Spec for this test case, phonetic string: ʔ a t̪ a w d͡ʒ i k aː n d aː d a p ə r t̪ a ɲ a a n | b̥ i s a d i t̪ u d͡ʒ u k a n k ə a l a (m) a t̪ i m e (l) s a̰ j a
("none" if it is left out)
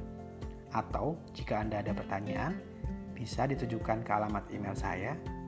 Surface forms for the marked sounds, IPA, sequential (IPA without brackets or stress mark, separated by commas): m, l